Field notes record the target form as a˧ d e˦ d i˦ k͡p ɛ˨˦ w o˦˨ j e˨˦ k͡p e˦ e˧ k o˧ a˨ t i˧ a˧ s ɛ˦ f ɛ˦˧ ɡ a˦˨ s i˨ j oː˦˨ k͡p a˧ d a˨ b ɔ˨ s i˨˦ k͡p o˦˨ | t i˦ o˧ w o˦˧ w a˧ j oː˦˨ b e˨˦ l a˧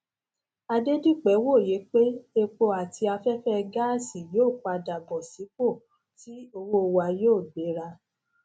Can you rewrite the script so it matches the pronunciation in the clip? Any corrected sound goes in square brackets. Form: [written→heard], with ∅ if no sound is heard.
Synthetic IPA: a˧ d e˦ d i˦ k͡p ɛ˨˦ w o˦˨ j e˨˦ k͡p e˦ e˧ [k→k͡p] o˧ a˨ t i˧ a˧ [s→f] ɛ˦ f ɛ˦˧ ɡ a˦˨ s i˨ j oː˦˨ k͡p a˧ d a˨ b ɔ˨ s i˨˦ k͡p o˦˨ | t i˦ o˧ w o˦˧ w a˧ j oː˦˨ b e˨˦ [l→ɾ] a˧